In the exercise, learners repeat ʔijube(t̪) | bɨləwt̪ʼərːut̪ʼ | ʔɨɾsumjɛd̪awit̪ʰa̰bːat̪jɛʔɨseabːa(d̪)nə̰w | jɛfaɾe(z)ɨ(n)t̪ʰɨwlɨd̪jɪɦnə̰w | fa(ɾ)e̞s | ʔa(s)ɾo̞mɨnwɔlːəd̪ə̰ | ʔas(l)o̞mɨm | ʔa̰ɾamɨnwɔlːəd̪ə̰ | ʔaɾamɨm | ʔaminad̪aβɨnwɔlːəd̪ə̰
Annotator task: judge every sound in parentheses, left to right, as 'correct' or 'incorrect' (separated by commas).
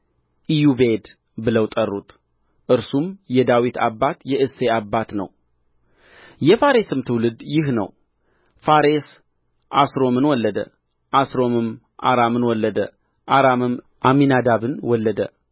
incorrect, incorrect, incorrect, incorrect, correct, correct, incorrect